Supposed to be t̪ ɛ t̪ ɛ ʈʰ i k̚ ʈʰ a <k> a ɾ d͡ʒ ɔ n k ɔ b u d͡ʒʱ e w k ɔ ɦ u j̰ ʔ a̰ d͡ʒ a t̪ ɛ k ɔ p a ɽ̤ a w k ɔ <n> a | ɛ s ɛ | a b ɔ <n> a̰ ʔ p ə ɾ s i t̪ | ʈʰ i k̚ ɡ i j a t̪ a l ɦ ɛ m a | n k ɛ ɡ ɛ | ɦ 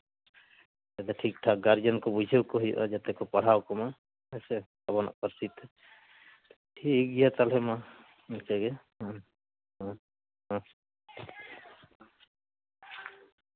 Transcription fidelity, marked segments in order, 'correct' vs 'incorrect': incorrect: ɡ, incorrect: m, correct

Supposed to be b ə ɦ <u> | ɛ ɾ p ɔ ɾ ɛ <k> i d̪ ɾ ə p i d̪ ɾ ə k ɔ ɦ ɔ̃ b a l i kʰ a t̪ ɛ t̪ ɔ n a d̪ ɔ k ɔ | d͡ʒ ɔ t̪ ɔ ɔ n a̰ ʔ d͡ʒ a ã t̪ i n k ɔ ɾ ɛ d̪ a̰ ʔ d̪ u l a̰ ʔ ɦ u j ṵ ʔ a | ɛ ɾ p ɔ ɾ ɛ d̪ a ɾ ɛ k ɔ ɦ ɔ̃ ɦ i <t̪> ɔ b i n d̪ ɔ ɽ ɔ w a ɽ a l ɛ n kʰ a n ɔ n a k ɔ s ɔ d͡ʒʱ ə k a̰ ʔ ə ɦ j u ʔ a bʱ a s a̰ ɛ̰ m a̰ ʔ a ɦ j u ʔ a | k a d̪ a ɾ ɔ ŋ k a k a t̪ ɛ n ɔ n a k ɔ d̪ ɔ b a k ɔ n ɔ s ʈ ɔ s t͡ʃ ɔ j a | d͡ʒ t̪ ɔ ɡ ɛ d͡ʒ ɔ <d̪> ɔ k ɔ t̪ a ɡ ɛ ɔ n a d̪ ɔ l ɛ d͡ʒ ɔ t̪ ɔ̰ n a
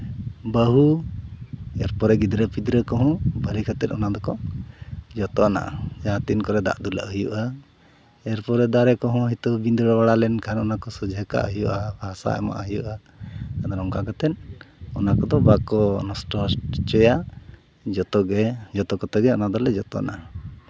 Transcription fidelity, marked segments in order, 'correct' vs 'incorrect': correct, incorrect: ɡ, correct, incorrect: t̪

